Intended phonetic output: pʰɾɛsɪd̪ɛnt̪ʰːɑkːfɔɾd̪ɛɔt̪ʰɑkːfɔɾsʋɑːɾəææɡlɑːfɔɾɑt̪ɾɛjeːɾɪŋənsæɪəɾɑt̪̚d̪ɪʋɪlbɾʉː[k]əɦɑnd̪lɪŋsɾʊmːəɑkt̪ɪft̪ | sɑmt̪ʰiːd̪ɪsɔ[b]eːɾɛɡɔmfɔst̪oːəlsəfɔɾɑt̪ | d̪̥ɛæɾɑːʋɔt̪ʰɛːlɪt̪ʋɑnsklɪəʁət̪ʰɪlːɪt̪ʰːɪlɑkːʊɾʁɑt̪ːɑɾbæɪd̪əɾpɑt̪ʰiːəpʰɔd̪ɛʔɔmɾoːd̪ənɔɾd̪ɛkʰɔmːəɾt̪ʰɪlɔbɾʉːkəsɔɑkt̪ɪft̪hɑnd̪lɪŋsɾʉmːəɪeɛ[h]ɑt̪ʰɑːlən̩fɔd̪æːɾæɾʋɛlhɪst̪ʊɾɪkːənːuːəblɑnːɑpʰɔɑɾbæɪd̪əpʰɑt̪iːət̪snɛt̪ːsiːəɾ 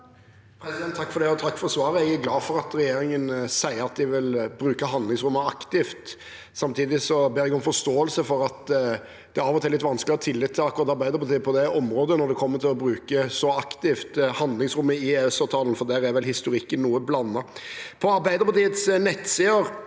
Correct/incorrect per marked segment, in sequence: correct, correct, incorrect

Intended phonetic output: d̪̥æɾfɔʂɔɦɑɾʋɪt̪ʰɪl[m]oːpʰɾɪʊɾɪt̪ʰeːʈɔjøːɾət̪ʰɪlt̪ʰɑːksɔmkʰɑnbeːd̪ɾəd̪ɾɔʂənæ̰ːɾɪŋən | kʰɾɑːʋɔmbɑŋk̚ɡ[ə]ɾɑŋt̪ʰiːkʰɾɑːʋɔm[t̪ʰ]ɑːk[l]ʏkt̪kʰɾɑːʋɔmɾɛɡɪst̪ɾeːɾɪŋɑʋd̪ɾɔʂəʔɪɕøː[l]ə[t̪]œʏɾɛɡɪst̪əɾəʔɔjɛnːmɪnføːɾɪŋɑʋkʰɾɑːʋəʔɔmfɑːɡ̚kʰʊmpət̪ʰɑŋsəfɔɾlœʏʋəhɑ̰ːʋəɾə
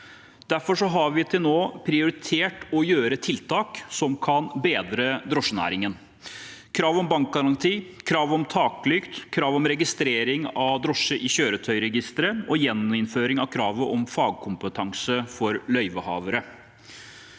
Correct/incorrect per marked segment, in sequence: incorrect, incorrect, correct, correct, incorrect, incorrect

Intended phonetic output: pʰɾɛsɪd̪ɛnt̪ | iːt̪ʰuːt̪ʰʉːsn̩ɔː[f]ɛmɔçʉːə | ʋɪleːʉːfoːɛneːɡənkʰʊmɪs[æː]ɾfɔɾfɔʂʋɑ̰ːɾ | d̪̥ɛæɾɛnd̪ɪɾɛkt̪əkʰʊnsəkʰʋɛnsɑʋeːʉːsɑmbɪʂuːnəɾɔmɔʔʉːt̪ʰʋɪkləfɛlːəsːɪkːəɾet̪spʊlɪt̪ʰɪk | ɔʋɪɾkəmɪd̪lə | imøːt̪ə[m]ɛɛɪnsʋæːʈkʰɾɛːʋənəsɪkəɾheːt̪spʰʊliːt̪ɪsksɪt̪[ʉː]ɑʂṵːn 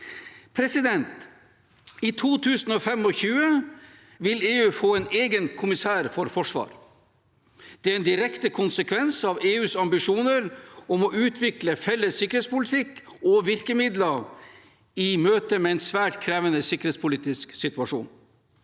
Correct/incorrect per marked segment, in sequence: correct, correct, correct, incorrect

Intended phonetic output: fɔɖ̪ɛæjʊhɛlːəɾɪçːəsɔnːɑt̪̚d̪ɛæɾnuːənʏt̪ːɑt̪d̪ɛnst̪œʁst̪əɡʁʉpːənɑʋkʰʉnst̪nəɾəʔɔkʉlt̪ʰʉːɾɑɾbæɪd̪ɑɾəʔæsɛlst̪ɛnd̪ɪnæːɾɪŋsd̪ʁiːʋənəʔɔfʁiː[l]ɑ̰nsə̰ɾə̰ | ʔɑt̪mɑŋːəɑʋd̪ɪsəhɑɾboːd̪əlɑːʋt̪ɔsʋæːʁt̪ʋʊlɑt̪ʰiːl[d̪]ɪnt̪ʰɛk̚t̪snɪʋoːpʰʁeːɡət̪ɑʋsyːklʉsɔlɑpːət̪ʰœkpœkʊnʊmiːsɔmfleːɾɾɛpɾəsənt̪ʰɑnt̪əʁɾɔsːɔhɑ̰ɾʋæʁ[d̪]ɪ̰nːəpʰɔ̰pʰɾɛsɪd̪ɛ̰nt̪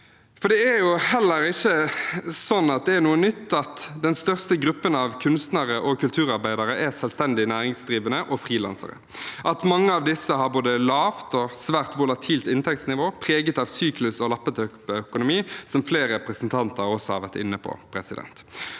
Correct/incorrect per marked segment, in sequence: correct, incorrect, incorrect

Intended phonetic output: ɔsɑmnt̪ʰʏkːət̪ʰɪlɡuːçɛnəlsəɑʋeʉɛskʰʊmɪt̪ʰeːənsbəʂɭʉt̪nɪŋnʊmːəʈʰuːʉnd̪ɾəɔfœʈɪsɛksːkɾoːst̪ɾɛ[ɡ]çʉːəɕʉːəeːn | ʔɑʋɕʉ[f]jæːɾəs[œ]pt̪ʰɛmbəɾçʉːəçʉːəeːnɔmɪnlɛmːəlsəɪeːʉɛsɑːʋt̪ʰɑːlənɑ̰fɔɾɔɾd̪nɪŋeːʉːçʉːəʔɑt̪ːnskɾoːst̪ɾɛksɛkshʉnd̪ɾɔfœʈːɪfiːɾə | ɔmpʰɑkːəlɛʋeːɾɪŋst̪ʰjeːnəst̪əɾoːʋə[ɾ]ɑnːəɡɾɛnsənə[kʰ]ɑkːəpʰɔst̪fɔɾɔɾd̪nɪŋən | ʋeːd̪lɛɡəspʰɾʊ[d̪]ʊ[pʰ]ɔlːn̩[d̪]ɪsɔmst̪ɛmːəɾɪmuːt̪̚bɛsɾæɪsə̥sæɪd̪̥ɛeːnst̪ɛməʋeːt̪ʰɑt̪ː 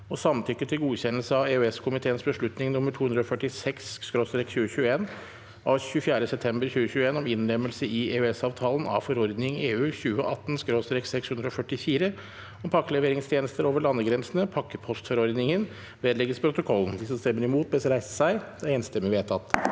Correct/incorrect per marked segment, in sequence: incorrect, correct, incorrect, incorrect, incorrect, incorrect, incorrect, correct

